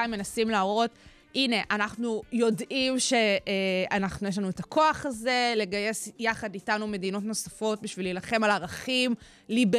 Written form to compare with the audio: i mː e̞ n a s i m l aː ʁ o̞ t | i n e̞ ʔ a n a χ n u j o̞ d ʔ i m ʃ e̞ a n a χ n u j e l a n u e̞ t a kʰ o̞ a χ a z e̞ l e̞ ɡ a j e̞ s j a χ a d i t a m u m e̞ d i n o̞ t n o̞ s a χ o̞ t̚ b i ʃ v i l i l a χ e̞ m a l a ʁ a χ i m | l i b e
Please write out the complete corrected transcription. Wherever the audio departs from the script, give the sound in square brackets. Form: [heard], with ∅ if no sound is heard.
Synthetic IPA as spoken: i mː e̞ n a s i m l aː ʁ o̞ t | i n e̞ ʔ a n a χ n u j o̞ d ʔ i m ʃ e̞ a n a χ n u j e l a n u e̞ t a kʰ o̞ a χ a z e̞ l e̞ ɡ a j e̞ s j a χ a d i t a [n] u m e̞ d i n o̞ t n o̞ s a [f] o̞ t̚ b i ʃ v i l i l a χ e̞ m a l a ʁ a χ i m | l i b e